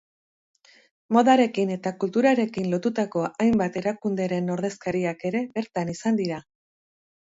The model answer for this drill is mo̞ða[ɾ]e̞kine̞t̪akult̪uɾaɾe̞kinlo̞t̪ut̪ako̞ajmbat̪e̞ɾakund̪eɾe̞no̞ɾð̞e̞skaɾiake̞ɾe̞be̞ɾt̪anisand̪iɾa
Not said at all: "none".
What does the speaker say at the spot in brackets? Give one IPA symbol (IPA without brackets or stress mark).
ɾ